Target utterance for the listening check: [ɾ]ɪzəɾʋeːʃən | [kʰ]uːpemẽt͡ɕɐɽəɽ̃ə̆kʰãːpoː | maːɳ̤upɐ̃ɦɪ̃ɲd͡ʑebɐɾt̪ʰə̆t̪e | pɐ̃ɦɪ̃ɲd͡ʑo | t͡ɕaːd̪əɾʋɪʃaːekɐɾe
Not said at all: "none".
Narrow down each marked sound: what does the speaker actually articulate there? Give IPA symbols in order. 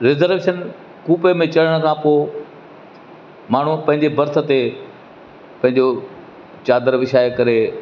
ɾ, k

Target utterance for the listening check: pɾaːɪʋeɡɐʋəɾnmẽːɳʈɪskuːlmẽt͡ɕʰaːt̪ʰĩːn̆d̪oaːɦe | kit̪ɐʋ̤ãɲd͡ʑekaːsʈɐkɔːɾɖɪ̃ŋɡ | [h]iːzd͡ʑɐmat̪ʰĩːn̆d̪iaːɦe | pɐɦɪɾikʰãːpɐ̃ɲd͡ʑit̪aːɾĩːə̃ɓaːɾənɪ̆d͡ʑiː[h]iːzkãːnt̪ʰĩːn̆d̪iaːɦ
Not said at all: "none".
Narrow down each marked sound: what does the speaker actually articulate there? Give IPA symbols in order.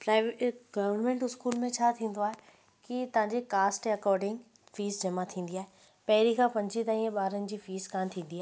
f, f

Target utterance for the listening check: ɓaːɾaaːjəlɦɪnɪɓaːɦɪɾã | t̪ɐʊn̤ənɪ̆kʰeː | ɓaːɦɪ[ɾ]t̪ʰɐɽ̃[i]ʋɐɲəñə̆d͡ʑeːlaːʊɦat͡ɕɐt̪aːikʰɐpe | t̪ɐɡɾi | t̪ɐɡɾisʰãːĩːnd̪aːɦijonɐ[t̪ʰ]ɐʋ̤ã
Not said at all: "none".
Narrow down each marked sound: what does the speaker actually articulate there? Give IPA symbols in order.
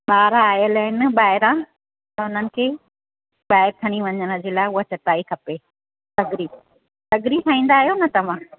ɾ, i, t̪

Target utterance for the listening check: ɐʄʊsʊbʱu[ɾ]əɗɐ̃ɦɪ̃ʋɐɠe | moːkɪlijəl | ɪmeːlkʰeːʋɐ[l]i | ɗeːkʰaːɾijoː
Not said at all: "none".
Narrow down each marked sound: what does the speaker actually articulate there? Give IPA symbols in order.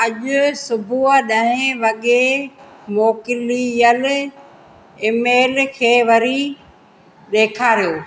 none, ɾ

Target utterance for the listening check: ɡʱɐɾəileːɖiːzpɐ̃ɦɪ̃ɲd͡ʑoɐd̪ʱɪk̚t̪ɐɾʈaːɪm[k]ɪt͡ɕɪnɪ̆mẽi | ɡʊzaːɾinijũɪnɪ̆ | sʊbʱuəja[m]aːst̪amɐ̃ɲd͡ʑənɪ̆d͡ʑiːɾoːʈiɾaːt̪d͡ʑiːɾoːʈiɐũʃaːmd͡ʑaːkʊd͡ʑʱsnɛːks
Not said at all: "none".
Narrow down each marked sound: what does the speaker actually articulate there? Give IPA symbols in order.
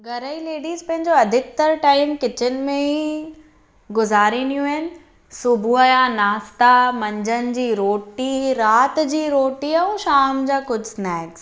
k, n

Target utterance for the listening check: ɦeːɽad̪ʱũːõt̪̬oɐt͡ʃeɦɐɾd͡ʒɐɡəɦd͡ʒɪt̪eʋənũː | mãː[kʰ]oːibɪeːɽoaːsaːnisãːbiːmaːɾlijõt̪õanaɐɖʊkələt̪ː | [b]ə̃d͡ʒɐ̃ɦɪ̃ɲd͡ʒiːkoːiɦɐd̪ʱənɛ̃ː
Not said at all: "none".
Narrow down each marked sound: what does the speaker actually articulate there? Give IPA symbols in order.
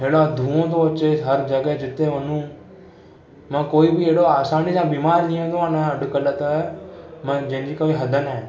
k, m

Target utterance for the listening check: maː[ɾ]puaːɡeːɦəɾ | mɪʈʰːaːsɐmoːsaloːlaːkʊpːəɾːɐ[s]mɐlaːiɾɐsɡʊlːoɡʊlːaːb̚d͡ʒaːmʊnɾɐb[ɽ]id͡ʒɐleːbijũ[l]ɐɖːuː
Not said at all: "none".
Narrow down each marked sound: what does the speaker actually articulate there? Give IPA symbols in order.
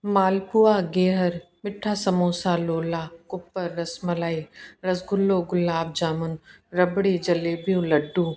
l, s, ɽ, l

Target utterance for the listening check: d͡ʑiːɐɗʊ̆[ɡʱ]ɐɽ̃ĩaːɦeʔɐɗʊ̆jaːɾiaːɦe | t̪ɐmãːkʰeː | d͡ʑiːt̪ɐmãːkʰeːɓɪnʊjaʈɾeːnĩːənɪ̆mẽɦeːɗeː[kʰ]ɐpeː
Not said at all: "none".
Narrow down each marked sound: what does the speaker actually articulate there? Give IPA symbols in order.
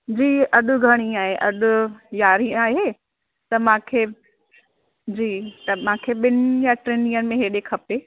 ɡʱ, kʰ

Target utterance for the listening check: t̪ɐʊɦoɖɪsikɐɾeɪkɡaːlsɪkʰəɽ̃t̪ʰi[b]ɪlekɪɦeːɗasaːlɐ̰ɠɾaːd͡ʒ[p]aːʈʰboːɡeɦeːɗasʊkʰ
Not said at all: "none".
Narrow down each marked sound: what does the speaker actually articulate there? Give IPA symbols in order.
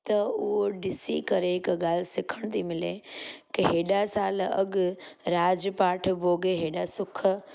m, p

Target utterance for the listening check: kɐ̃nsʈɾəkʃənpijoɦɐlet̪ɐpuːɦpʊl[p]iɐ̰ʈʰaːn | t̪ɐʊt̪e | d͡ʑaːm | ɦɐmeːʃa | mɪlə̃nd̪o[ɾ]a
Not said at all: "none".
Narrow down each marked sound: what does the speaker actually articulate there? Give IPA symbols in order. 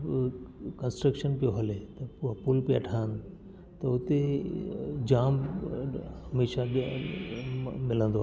p, none

